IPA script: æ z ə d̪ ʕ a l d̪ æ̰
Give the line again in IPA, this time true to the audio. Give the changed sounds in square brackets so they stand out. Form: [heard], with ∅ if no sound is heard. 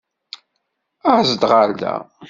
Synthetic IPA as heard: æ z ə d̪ [ʁ] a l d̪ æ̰